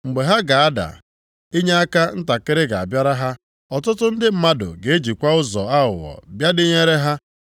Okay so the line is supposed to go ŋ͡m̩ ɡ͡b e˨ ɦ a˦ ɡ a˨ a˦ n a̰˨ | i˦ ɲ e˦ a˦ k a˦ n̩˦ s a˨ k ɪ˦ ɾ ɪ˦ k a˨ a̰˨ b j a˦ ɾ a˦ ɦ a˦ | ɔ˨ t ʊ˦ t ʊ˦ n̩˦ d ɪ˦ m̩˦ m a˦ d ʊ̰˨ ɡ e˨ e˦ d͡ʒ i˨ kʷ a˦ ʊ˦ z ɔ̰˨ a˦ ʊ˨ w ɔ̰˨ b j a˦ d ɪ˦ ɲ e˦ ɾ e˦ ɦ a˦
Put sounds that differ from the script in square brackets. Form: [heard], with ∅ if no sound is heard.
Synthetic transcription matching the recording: ŋ͡m̩ ɡ͡b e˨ ɦ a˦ ɡ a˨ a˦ [d] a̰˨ | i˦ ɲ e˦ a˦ k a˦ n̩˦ [t] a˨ k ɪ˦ ɾ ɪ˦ [ɡ] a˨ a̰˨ b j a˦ ɾ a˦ ɦ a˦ | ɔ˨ t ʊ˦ t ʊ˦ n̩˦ d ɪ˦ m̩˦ m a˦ d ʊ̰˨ ɡ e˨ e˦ d͡ʒ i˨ kʷ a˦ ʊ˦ z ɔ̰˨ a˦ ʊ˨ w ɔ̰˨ b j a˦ d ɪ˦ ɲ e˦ ɾ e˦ ɦ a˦